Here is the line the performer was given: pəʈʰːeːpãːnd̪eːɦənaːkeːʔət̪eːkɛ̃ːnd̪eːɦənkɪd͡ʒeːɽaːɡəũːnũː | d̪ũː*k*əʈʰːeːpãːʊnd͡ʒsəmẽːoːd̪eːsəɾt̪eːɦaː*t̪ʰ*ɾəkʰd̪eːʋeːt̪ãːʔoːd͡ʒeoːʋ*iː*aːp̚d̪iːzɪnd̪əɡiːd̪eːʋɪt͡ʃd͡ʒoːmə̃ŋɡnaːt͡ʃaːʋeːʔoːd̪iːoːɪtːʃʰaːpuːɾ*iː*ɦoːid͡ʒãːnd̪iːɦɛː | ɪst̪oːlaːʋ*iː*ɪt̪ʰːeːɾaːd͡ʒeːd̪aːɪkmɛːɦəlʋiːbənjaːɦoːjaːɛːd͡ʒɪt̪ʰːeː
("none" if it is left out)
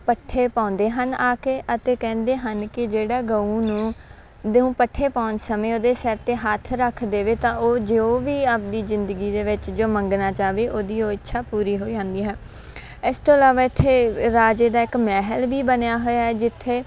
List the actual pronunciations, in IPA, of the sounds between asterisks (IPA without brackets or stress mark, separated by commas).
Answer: p, t̪ʰ, iː, iː, aː